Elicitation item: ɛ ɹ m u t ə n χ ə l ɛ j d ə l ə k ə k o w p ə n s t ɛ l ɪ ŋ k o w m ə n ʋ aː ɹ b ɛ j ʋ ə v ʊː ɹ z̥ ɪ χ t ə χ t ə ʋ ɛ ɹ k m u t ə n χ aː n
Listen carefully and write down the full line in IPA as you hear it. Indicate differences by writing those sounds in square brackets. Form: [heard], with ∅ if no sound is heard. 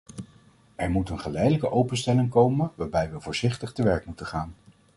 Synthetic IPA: ɛ ɹ m u t ə n χ ə l ɛ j d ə l ə k ə [ʔ] o w p ə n s t ɛ l ɪ ŋ k o w m ə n ʋ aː ɹ b ɛ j ʋ ə v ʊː ɹ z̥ ɪ χ t ə χ t ə ʋ ɛ ɹ k m u t ə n χ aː n